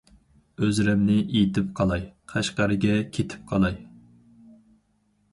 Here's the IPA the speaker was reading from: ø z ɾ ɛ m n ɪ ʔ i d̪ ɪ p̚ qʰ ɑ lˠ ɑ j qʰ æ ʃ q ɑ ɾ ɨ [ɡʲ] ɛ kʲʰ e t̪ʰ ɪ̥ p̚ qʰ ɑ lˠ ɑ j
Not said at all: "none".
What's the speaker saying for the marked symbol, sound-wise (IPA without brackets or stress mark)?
ɡʲ